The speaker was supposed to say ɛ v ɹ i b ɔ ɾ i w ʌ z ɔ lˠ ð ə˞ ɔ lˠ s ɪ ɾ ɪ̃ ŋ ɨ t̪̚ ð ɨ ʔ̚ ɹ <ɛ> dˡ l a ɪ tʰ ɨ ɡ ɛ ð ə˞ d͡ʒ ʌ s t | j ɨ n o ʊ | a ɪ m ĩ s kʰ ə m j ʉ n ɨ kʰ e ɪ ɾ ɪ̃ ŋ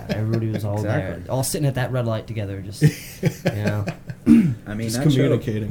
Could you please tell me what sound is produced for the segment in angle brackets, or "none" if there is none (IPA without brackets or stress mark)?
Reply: ɛ